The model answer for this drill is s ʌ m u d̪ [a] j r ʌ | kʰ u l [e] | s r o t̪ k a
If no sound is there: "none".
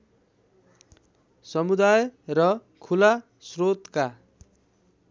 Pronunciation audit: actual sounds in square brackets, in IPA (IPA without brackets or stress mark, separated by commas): a, a